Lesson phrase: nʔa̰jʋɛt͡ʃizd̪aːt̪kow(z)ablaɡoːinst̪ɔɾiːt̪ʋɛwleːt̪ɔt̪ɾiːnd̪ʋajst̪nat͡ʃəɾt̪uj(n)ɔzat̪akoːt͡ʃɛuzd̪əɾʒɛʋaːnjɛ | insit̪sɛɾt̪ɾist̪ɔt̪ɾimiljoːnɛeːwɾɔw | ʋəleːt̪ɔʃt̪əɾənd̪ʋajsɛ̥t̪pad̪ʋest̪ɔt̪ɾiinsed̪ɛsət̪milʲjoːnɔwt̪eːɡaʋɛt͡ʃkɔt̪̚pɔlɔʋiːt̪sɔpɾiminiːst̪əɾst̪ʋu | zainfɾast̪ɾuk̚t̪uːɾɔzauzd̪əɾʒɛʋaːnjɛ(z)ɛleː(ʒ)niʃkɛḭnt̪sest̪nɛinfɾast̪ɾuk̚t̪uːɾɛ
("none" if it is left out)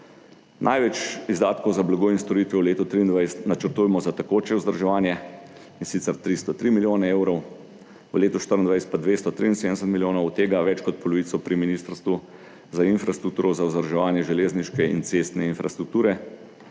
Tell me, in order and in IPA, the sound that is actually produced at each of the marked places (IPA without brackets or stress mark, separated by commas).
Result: z, m, ʒ, z